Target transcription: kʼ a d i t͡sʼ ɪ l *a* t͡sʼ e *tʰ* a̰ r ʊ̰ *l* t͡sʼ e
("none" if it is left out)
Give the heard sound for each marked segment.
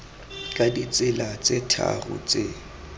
a, tʰ, none

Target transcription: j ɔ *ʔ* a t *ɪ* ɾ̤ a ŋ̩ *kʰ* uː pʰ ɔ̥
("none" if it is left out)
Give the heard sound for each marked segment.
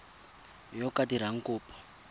k, i, k

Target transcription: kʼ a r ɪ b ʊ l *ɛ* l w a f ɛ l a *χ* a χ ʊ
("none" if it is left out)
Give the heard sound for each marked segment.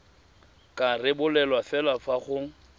ɛ, f

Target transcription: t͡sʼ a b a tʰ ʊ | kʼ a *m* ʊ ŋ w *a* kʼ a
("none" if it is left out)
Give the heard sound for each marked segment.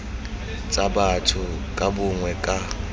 b, ɛ

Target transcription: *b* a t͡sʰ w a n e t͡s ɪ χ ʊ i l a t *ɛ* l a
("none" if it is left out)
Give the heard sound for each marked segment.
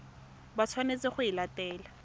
b, ɛː

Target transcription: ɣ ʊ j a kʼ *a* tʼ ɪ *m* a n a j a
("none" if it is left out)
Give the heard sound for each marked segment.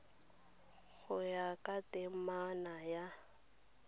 a, m

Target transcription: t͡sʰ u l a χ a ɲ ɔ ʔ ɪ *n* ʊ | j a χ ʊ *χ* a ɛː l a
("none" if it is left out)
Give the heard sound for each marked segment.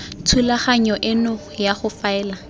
n, f

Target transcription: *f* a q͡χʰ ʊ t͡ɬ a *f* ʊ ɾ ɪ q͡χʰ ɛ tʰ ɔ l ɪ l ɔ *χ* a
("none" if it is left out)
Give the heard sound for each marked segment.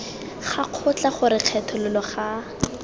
χ, χ, χ

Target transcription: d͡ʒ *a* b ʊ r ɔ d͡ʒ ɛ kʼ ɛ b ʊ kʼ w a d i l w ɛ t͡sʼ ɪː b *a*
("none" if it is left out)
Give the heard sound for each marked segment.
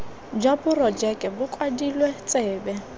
a, ɛ

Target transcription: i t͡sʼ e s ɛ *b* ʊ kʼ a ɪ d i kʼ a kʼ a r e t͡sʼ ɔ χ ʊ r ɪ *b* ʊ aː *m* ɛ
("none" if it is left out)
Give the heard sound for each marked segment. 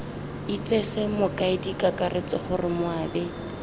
m, m, b

